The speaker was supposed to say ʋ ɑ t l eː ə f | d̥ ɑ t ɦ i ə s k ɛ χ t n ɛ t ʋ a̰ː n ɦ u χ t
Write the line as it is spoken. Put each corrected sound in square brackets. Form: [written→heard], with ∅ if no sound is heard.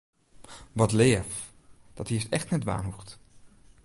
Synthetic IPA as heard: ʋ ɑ t l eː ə f | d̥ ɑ t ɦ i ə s [k→t] ɛ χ t n ɛ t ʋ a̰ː n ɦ u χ t